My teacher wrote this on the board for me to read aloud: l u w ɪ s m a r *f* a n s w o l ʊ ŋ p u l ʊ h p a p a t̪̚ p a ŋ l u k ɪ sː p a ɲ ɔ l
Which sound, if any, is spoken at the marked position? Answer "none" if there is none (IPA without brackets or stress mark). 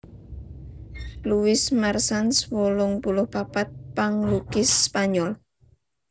s